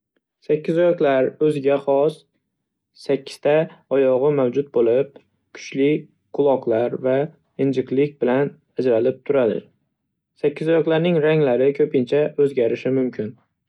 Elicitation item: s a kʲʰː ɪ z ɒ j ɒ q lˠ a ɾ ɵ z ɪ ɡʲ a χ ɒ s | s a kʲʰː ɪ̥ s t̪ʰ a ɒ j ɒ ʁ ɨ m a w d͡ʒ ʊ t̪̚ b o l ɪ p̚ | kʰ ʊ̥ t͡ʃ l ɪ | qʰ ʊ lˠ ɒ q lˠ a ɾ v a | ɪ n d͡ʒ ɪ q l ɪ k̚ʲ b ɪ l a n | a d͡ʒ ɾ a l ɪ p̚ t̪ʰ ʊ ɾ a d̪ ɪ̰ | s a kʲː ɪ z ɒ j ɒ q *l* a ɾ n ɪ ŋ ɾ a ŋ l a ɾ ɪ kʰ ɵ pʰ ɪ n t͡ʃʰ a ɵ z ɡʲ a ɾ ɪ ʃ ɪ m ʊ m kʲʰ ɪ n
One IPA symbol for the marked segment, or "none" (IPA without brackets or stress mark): l